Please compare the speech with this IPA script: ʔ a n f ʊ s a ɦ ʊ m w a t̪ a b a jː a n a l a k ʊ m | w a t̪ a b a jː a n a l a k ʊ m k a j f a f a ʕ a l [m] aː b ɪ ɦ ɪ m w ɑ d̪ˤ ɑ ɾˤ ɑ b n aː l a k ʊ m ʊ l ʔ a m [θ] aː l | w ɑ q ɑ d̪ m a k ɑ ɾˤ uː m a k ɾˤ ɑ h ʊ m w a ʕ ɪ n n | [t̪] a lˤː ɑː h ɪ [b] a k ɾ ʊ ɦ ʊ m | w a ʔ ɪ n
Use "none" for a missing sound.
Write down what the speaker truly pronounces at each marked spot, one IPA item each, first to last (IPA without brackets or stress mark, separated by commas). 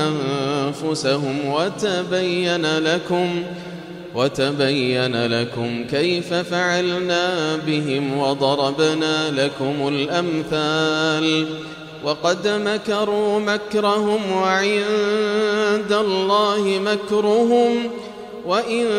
n, θ, d̪, m